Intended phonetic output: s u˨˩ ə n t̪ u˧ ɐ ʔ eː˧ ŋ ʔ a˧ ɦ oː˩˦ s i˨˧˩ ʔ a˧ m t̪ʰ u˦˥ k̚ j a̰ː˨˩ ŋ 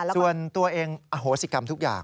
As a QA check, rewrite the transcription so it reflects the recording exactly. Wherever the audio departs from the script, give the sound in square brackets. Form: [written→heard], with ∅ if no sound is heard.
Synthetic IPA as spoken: s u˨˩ ə n t̪ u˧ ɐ ʔ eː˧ ŋ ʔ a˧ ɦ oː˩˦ s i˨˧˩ [ʔ→k] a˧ m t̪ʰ u˦˥ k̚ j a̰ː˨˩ ŋ